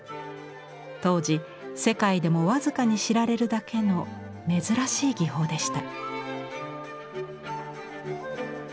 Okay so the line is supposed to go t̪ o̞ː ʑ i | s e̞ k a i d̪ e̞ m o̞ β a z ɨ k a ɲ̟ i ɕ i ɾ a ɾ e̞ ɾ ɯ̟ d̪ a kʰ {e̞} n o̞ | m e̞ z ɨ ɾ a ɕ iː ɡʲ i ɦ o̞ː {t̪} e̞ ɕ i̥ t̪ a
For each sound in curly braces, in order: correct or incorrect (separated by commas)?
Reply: correct, incorrect